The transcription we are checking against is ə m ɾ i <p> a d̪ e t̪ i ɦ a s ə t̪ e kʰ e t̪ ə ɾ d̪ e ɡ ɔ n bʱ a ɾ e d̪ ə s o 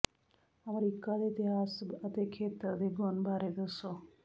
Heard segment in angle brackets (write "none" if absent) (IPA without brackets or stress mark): k